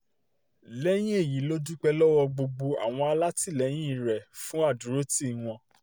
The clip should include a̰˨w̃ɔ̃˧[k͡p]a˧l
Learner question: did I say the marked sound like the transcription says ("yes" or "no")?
no